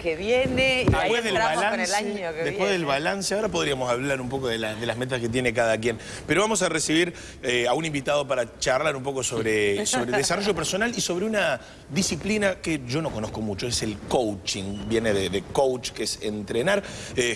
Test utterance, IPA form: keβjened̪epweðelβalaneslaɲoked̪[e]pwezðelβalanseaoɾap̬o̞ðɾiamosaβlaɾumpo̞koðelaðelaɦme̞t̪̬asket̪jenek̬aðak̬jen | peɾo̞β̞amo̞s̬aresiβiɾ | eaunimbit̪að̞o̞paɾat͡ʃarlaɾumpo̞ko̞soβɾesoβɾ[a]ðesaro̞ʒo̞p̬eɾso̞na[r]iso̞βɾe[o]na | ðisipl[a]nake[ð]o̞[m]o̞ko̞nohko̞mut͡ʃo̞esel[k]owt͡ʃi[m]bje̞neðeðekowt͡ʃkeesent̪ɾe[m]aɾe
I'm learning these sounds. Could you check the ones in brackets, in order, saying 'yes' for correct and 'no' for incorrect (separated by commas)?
yes, no, no, no, no, no, no, yes, no, no